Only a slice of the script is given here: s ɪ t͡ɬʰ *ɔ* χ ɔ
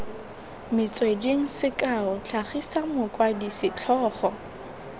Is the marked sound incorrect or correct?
incorrect